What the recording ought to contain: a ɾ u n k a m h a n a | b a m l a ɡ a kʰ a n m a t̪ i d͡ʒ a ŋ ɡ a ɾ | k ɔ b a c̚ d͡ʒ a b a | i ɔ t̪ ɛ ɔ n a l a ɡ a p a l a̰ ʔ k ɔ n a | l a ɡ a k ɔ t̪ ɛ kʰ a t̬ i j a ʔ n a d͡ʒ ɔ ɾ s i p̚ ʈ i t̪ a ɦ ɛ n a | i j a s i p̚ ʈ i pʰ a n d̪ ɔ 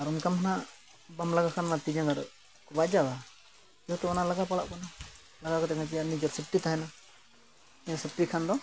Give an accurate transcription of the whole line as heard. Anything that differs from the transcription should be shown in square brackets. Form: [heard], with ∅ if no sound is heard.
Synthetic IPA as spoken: a ɾ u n k a m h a n a | b a m l a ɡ a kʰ a n m a t̪ i d͡ʒ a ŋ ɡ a ɾ | k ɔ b a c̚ d͡ʒ a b a | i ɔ t̪ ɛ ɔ n a l a ɡ a p a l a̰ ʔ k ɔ n a | l a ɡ a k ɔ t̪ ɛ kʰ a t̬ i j a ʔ n [i] d͡ʒ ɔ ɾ s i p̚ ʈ i t̪ a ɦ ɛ n a | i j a s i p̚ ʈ i [kʰ] a n d̪ ɔ

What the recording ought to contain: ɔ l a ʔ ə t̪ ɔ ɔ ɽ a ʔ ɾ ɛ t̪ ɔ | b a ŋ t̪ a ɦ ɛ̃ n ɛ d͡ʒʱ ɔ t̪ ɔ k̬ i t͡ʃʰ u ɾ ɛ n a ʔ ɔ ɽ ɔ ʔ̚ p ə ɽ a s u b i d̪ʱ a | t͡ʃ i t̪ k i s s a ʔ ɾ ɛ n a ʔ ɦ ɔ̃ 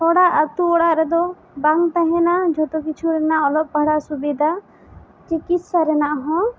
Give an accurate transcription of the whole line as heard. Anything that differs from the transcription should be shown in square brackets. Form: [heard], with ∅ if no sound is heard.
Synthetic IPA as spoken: ɔ [ɽ] a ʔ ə t̪ [u] ɔ ɽ a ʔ ɾ ɛ [d̪] ɔ | b a ŋ t̪ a ɦ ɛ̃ n [a] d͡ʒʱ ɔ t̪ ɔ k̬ i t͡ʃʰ u ɾ ɛ n a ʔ ɔ [l] ɔ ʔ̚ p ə ɽ a s u b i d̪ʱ a | t͡ʃ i [∅] k i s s a [∅] ɾ ɛ n a ʔ ɦ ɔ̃

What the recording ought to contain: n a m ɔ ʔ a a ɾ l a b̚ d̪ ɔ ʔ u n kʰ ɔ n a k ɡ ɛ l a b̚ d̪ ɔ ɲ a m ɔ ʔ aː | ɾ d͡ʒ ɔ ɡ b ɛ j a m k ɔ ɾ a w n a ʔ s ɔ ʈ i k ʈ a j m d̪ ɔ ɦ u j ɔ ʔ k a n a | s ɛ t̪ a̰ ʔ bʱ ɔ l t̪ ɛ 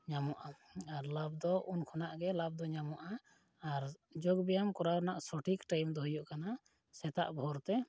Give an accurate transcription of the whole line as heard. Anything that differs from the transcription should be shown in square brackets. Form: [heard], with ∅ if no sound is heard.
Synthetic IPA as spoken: [ɲ] a m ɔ ʔ a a ɾ l a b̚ d̪ ɔ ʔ u n kʰ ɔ n a [ʔ] ɡ ɛ l a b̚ d̪ ɔ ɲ a m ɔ ʔ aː | ɾ d͡ʒ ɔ ɡ b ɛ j a m k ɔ ɾ a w n a ʔ s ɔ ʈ i k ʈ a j m d̪ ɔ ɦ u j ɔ ʔ k a n a | s ɛ t̪ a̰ ʔ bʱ ɔ [ɾ] t̪ ɛ

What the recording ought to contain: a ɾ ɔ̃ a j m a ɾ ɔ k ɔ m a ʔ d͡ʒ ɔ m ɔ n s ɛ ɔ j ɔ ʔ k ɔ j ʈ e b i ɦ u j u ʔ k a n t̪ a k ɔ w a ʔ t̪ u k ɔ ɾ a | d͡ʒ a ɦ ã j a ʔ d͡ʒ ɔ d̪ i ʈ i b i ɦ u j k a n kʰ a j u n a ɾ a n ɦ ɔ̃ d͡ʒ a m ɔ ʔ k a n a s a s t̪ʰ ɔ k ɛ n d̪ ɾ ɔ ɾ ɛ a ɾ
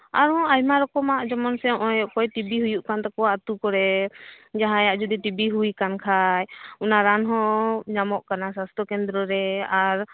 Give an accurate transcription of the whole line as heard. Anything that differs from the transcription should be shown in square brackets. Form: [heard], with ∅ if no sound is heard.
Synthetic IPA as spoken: a ɾ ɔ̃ a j m a ɾ ɔ k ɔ m a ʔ d͡ʒ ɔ m ɔ n s ɛ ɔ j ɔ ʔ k ɔ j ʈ [i] b i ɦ u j u ʔ k a n t̪ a k ɔ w a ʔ t̪ u k ɔ ɾ [ɛ] | d͡ʒ a ɦ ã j a ʔ d͡ʒ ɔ d̪ i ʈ i b i ɦ u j k a n kʰ a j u n a ɾ a n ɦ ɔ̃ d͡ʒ a m ɔ ʔ k a n a s a s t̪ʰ ɔ k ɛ n d̪ ɾ ɔ ɾ ɛ a ɾ

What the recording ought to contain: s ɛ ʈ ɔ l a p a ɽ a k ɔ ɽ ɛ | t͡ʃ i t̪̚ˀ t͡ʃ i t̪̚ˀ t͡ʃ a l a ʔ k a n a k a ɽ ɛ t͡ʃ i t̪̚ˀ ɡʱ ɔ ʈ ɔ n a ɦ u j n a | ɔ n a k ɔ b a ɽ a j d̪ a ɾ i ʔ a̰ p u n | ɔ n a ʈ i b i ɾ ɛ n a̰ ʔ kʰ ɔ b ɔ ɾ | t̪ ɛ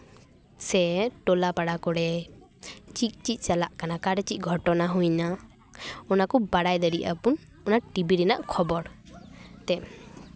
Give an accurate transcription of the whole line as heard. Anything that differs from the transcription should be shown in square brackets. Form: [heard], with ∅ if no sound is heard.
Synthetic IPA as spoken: s ɛ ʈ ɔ l a p a ɽ a k ɔ ɽ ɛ | t͡ʃ i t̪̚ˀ t͡ʃ i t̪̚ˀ t͡ʃ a l a ʔ k a n a k a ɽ ɛ t͡ʃ i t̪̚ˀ ɡʱ ɔ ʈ ɔ n a ɦ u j n a | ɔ n a k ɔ b a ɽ a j d̪ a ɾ i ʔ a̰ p u n | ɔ n a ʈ i b i ɾ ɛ n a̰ ʔ kʰ ɔ b ɔ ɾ | t̪ ɛ

